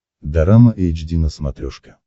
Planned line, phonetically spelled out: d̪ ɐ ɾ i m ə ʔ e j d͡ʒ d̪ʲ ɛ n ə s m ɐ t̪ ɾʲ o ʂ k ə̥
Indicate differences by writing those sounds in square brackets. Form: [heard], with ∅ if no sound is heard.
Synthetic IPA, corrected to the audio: d̪ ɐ ɾ [a] m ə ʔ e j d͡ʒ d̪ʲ [i] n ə s m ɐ t̪ ɾʲ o ʂ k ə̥